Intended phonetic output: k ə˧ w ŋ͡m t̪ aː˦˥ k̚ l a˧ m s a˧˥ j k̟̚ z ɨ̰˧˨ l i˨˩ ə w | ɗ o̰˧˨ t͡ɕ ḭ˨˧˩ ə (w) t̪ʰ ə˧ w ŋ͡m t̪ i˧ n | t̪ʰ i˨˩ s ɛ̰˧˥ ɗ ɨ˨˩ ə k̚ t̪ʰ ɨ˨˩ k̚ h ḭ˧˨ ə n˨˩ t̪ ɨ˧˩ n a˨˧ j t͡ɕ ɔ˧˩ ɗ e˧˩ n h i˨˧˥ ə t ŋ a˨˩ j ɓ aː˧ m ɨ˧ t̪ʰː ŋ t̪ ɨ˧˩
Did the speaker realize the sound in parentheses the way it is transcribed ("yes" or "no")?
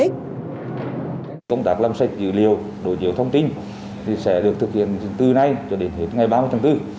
yes